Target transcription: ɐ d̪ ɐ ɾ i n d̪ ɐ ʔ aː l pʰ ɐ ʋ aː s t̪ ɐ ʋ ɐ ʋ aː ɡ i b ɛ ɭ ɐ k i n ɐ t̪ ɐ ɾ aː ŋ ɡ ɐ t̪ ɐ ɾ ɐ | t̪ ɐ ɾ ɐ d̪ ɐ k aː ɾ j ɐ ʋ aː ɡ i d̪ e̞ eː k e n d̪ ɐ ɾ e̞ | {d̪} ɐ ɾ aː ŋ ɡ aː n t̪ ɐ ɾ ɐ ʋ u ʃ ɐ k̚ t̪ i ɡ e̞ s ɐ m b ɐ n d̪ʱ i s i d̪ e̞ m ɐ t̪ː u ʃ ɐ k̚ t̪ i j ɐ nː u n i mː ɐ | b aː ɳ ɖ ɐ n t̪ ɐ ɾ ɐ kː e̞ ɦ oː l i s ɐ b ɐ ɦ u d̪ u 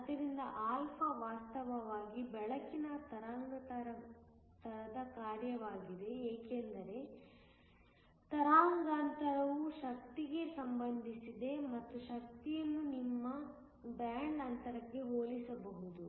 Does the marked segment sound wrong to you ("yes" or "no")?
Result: yes